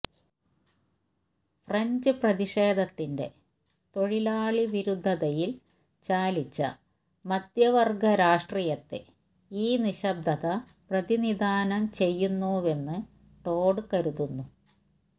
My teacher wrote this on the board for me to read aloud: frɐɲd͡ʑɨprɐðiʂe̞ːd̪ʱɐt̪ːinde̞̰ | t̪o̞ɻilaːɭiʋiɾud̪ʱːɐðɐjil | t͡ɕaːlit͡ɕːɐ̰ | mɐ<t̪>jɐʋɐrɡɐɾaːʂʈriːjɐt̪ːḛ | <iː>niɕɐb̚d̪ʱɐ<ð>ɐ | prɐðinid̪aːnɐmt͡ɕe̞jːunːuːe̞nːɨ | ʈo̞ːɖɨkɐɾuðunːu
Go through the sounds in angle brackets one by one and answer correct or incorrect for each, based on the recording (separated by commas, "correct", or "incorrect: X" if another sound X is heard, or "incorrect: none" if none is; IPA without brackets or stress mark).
incorrect: d̪, correct, correct